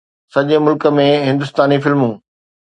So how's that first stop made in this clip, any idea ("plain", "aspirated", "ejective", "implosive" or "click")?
implosive